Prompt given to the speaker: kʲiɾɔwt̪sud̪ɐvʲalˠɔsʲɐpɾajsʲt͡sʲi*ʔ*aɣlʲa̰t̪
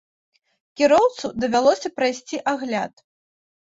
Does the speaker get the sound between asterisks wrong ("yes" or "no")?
no